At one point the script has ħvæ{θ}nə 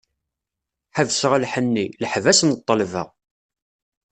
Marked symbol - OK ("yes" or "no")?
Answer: no